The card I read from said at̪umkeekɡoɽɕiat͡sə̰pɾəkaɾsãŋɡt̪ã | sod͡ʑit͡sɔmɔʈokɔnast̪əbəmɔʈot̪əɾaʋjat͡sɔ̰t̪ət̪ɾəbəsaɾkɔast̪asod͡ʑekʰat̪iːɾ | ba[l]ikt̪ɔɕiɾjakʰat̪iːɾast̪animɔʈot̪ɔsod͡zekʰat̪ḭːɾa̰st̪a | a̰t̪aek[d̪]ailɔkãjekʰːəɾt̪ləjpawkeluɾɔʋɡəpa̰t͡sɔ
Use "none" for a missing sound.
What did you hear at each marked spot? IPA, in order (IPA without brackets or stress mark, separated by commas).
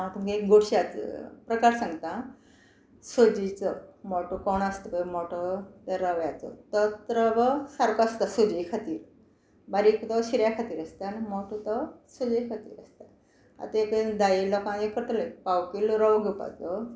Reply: ɾ, d̪